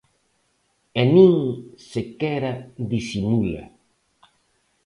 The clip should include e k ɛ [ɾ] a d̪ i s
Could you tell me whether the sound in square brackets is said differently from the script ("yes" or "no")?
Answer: no